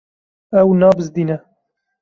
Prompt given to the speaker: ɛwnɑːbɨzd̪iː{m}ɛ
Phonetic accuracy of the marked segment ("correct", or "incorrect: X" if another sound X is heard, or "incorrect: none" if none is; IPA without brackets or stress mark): incorrect: n